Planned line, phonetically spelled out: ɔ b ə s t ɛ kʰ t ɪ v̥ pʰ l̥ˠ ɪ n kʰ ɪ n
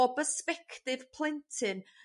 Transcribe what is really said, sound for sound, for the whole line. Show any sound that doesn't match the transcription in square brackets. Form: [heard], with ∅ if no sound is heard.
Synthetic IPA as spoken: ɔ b ə s [p] ɛ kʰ t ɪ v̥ pʰ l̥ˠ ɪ n [tʰ] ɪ n